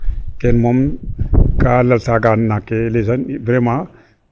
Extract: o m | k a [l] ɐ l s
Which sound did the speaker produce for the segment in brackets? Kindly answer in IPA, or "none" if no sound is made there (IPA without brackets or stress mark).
l